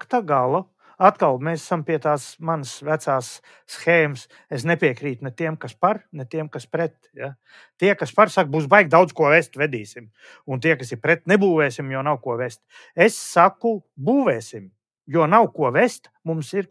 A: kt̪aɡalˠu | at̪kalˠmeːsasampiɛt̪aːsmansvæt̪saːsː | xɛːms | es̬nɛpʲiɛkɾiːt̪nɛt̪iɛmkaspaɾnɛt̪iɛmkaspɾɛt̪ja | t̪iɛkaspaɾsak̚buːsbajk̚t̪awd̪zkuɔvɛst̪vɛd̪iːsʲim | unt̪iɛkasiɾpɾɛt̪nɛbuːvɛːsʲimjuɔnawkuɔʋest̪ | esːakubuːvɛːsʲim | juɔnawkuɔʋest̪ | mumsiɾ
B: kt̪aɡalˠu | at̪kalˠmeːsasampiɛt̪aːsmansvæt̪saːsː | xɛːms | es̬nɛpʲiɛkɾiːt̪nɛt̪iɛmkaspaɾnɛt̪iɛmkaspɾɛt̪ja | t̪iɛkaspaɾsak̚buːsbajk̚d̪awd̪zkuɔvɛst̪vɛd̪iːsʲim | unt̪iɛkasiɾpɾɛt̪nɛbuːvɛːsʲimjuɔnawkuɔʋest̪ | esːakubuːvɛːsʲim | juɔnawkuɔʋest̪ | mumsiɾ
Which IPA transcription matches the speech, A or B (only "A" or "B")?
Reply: B